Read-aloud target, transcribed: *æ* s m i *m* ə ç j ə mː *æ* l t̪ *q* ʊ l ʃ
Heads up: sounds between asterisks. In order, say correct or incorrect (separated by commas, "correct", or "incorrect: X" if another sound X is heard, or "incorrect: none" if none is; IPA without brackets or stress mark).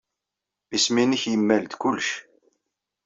incorrect: i, incorrect: n, correct, incorrect: k